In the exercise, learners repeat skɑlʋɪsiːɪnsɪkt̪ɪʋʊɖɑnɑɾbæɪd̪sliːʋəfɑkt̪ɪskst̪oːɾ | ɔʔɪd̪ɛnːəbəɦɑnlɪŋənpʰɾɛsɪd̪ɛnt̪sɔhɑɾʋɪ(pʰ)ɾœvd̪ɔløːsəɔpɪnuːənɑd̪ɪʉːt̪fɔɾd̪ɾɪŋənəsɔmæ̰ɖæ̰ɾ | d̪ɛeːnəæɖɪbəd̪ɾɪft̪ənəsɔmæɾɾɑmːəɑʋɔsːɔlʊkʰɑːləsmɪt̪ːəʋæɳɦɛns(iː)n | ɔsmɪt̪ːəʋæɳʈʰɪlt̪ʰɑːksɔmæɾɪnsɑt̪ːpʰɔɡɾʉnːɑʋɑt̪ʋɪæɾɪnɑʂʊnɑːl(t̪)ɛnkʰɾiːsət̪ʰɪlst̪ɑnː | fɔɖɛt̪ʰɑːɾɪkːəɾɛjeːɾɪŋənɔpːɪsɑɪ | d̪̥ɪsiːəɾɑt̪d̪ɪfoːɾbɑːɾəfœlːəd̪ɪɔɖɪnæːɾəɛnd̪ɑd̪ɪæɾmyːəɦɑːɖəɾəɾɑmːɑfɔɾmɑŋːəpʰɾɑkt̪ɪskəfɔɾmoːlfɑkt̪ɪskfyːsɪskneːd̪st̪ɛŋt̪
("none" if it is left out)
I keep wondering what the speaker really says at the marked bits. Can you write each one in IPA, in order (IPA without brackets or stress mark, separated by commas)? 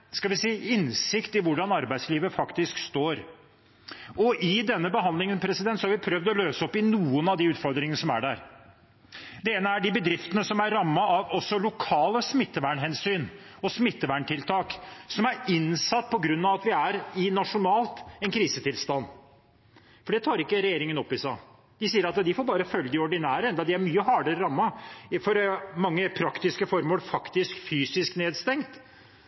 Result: pʰ, yː, t̪